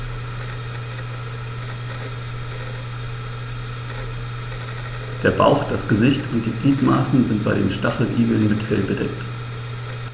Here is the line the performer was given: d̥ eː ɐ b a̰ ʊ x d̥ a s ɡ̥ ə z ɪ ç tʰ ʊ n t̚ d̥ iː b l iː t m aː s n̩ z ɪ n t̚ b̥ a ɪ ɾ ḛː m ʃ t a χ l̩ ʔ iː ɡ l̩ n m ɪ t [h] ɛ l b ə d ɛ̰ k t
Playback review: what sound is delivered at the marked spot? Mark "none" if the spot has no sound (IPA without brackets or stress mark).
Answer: f